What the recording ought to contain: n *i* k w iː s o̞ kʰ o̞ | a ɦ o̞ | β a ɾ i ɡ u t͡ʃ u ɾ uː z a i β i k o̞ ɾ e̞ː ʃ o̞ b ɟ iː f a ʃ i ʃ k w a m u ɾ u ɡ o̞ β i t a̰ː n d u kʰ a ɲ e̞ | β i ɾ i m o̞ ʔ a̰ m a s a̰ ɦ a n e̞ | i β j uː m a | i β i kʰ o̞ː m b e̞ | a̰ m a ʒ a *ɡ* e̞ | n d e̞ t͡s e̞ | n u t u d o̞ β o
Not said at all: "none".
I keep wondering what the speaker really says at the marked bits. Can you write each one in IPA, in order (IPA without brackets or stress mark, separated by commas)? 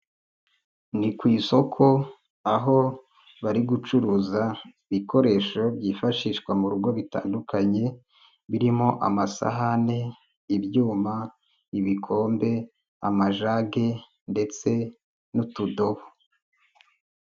i, ɡ